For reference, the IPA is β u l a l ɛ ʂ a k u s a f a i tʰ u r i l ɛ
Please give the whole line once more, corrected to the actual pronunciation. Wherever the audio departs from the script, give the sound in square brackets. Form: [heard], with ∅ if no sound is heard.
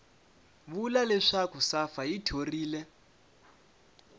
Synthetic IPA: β u l a l ɛ ʂ a k u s a f a i tʰ [o] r [iː] l ɛ